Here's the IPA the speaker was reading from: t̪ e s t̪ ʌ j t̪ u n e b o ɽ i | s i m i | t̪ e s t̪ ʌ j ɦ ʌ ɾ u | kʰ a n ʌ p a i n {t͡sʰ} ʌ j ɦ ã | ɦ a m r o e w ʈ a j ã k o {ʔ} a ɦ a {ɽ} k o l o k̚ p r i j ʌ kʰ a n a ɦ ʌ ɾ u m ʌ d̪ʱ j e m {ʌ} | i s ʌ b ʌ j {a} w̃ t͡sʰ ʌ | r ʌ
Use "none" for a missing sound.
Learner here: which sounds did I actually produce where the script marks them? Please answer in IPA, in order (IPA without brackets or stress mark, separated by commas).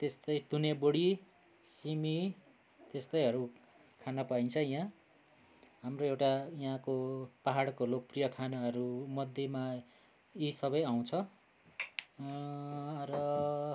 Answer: t͡sʰ, p, ɽ, a, a